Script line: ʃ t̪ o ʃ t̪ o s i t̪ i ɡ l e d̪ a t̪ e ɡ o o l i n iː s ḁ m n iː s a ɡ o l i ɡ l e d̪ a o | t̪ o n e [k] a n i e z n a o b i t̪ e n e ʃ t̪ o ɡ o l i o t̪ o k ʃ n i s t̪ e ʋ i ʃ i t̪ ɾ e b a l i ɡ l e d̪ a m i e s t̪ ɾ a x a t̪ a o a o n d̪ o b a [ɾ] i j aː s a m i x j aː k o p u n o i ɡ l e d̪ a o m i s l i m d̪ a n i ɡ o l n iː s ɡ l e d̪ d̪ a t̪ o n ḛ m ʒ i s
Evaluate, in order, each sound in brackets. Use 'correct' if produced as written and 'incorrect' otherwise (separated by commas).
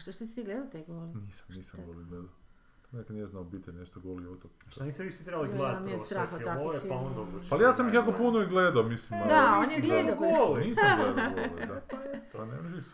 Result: correct, incorrect